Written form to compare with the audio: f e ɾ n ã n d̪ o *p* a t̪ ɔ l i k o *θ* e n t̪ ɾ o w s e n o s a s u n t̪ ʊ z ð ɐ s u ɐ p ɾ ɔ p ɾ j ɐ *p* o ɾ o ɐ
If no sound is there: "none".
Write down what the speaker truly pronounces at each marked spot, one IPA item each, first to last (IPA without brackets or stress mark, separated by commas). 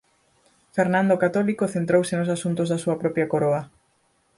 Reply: k, θ, k